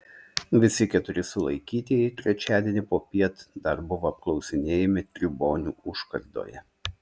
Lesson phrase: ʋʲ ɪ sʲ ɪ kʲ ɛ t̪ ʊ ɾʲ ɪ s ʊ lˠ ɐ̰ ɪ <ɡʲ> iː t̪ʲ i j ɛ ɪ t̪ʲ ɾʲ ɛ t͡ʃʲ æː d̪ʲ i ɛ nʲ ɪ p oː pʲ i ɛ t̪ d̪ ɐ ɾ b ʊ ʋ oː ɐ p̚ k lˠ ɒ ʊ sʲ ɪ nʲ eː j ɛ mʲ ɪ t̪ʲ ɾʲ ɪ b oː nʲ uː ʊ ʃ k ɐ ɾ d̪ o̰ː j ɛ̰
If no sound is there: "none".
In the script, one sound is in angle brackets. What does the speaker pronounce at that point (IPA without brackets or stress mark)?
kʲ